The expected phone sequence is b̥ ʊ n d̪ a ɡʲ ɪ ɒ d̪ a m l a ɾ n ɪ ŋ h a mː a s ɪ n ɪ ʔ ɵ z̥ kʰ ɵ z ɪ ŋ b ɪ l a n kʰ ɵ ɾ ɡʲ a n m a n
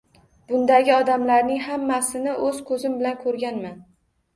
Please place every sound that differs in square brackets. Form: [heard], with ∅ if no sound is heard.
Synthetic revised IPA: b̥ ʊ n d̪ a ɡʲ ɪ ɒ d̪ a m l a ɾ n ɪ ŋ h a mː a s ɪ n ɪ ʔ ɵ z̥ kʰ ɵ z ɪ [m] b ɪ l a n kʰ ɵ ɾ ɡʲ a n m a n